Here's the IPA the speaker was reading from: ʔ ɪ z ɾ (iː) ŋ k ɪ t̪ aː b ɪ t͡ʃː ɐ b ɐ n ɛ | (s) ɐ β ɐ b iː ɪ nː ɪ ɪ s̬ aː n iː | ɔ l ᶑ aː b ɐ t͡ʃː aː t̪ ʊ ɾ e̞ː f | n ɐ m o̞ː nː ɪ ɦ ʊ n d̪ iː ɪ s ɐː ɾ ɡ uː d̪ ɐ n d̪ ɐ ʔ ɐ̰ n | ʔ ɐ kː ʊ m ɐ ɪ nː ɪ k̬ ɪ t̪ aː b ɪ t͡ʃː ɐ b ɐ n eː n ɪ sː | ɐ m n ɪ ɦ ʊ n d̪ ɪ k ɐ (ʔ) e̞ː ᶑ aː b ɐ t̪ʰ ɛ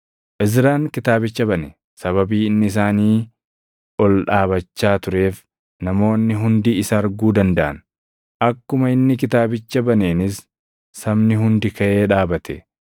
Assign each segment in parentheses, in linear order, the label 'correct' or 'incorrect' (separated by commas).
incorrect, correct, correct